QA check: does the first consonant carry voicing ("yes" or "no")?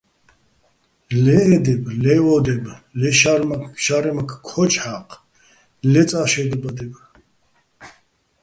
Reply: yes